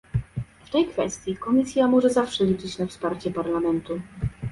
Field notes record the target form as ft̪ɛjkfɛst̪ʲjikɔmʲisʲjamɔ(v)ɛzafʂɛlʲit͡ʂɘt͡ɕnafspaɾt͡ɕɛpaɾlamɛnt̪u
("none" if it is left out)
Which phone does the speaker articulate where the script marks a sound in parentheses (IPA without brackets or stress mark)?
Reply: ʐ